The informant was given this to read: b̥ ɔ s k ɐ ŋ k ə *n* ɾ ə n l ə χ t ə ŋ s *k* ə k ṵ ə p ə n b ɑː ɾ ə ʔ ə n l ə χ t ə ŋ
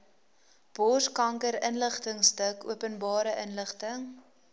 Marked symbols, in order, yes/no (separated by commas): no, no